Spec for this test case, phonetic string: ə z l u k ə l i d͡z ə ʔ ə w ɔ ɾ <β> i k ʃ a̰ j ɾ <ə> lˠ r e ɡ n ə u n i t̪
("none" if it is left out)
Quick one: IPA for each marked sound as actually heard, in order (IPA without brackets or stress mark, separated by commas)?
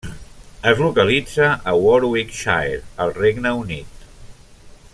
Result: w, ə